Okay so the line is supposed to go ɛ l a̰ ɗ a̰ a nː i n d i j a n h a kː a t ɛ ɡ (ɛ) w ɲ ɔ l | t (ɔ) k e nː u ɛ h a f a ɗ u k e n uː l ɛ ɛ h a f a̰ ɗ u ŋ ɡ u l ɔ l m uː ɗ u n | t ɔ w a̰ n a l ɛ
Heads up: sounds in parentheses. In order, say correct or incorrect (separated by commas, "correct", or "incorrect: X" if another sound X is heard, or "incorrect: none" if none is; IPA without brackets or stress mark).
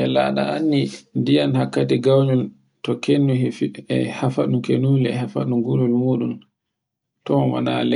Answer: incorrect: a, correct